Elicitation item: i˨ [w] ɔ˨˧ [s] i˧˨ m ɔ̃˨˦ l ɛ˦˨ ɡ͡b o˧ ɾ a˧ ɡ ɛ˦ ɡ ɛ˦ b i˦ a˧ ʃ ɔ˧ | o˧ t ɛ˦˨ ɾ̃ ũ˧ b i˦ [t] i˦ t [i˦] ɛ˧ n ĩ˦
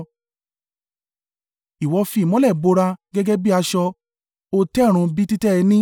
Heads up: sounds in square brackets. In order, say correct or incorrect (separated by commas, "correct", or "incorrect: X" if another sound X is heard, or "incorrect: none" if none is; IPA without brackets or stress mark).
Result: correct, incorrect: f, correct, incorrect: ɛ˦